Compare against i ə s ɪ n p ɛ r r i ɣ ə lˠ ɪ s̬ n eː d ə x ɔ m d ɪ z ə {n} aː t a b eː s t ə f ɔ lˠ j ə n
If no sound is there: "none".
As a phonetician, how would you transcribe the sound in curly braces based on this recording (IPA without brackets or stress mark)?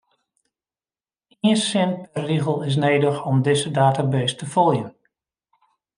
d